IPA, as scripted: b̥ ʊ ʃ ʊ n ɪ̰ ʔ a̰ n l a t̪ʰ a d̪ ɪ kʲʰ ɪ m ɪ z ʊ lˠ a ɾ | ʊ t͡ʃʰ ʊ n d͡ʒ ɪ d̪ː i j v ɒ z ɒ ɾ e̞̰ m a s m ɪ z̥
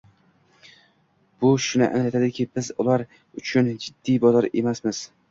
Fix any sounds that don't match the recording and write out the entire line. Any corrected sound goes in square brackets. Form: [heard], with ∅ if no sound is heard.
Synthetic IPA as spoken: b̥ ʊ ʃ ʊ n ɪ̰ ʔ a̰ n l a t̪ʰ a d̪ ɪ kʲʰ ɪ [b] ɪ z ʊ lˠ a ɾ | ʊ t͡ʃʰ ʊ n d͡ʒ ɪ d̪ː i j [b] ɒ z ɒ ɾ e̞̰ m a s m ɪ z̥